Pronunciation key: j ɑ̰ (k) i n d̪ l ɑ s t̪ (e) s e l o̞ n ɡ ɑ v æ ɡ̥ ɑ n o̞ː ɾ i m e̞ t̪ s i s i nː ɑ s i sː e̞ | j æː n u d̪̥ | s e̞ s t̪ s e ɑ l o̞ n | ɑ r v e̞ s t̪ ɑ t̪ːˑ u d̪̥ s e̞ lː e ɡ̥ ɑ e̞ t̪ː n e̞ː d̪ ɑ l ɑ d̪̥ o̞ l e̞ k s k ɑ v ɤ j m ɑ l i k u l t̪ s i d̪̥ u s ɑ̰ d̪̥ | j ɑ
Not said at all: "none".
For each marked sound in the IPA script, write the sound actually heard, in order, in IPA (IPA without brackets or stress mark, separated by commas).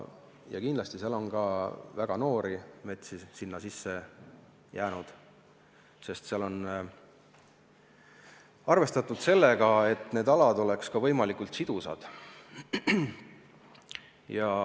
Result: k, i